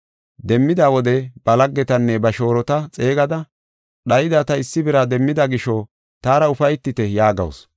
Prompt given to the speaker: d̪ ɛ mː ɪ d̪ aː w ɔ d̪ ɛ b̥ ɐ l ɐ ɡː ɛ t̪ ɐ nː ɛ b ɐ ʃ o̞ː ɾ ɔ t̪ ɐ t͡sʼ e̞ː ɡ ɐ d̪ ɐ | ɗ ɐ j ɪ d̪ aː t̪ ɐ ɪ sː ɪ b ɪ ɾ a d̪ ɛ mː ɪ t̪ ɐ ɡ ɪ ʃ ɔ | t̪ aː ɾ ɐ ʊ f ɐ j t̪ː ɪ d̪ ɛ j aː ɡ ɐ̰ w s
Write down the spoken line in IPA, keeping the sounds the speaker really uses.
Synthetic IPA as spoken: d̪ ɛ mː ɪ d̪ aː w ɔ d̪ ɛ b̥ ɐ l ɐ ɡː ɛ t̪ ɐ nː ɛ b ɐ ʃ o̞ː ɾ ɔ t̪ ɐ t͡sʼ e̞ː ɡ ɐ d̪ ɐ | ɗ ɐ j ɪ d̪ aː t̪ ɐ ɪ sː ɪ b ɪ ɾ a d̪ ɛ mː ɪ d̪ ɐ ɡ ɪ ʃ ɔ | t̪ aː ɾ ɐ ʊ f ɐ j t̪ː ɪ t̪ ɛ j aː ɡ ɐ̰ w s